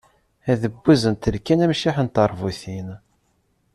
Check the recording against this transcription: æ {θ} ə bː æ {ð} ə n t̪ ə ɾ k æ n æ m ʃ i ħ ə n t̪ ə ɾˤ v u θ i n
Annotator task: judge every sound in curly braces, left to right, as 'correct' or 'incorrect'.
incorrect: ð, incorrect: z

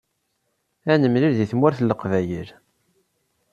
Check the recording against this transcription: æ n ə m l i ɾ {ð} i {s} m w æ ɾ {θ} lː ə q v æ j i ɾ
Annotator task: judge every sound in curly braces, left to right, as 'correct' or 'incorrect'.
correct, incorrect: θ, correct

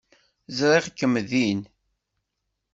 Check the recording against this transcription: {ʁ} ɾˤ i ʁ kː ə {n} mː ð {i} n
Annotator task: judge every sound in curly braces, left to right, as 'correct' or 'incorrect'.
incorrect: z, incorrect: none, correct

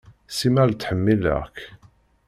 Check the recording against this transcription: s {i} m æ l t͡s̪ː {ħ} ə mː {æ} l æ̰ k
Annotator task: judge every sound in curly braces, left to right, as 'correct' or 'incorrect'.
correct, correct, incorrect: i

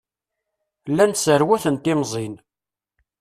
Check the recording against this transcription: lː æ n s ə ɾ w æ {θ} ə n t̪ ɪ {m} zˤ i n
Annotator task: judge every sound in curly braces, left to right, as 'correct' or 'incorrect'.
correct, correct

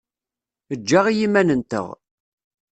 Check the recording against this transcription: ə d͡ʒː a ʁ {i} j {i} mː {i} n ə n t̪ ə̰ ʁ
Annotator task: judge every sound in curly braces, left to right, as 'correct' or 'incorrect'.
correct, correct, incorrect: æ

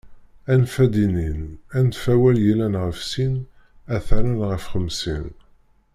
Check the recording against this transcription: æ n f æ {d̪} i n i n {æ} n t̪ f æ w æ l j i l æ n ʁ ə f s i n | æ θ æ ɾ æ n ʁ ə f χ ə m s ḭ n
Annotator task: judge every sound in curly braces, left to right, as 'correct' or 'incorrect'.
correct, correct

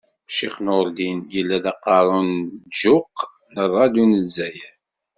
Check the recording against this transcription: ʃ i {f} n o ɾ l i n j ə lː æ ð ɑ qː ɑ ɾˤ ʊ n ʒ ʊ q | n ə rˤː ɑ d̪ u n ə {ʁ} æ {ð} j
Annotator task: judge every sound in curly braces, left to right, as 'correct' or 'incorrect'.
incorrect: χ, incorrect: z, incorrect: none

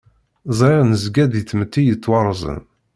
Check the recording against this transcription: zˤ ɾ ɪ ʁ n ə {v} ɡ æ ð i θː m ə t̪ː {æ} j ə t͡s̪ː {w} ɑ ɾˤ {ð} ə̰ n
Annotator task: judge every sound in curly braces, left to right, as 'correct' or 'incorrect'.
incorrect: z, incorrect: i, correct, incorrect: z

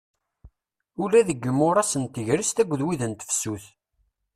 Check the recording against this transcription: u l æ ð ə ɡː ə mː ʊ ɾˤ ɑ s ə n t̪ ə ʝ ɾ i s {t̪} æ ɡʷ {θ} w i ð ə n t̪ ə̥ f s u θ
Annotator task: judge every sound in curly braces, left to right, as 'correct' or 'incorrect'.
correct, incorrect: ð

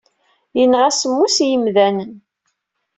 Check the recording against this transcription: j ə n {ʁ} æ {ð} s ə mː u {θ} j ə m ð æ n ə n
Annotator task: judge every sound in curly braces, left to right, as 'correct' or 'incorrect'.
correct, incorrect: none, incorrect: s

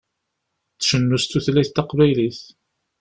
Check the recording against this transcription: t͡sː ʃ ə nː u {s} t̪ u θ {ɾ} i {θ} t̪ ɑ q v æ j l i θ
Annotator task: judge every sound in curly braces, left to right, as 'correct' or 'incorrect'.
correct, incorrect: l, correct

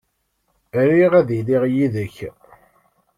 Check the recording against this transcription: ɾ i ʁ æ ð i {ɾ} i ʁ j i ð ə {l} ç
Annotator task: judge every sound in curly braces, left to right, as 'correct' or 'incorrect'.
incorrect: l, incorrect: none

